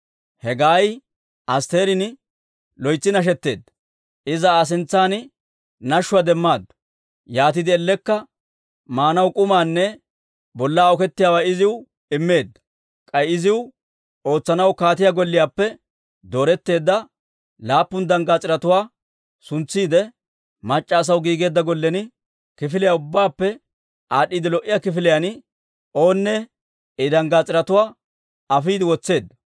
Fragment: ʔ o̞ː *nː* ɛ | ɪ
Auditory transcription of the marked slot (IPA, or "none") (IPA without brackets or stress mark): nː